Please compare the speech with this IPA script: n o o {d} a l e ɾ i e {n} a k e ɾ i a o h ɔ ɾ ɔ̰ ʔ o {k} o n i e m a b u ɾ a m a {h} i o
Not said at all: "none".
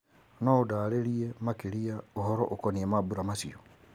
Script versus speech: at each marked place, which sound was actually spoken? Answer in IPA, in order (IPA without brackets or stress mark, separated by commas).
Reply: d, m, k, s